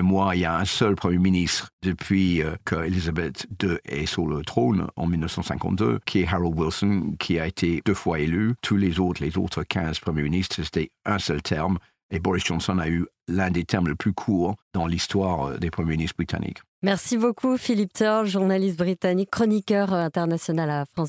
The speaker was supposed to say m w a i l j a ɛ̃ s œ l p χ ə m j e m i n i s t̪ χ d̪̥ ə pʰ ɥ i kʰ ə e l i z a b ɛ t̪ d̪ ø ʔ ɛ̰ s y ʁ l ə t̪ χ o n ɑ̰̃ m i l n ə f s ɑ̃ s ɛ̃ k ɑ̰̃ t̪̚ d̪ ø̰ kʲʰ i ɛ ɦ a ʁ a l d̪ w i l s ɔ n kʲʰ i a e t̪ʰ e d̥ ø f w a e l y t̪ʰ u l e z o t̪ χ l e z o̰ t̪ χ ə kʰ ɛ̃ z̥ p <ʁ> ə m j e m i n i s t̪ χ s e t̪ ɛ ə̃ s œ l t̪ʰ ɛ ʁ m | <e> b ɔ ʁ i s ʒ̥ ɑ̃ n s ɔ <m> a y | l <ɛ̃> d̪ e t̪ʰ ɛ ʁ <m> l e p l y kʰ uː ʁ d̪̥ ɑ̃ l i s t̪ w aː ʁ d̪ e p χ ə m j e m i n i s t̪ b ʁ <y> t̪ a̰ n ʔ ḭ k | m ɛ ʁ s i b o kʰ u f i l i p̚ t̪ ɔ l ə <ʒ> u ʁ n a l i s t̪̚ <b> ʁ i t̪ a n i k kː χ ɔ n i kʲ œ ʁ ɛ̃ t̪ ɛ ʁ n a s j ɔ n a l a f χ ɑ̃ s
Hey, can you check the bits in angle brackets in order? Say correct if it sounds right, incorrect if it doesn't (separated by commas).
incorrect, correct, incorrect, correct, correct, incorrect, correct, correct